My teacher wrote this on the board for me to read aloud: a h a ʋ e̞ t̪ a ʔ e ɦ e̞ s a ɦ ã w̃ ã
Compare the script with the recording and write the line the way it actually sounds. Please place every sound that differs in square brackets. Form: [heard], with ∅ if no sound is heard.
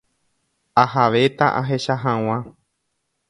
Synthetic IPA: a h a ʋ e̞ t̪ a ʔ [a] ɦ e̞ [ʃ] a ɦ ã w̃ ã